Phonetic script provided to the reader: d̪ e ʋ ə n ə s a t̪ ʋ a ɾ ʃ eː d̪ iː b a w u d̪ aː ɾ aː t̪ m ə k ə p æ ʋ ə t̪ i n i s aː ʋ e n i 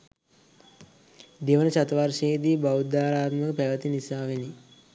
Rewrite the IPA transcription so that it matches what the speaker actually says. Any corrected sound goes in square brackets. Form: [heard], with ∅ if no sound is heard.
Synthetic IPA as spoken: d̪ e ʋ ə n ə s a t̪ ʋ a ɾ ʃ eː d̪ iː b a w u d̪ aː ɾ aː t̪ m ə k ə p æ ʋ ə t̪ i n i s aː ʋ e n i